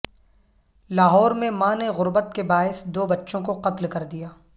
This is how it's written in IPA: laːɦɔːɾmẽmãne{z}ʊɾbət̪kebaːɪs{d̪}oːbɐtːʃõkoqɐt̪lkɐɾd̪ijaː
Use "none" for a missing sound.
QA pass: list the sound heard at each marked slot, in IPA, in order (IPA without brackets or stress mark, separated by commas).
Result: ɣ, d̪